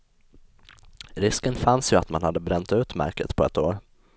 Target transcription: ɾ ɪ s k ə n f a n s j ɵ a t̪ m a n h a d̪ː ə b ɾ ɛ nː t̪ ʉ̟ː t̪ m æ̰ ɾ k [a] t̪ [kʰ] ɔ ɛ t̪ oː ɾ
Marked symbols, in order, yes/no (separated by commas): no, no